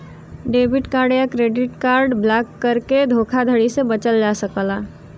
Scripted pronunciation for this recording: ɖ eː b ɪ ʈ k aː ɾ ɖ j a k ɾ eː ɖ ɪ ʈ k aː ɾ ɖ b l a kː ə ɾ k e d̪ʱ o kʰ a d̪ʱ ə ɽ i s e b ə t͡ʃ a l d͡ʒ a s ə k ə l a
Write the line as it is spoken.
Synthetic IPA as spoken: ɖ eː b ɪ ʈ k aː ɾ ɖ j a k ɾ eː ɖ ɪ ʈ k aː ɾ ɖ b l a kː ə ɾ k e d̪ʱ o kʰ a d̪ʱ ə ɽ i s e b ə t͡ʃ ə l d͡ʒ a s ə k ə l a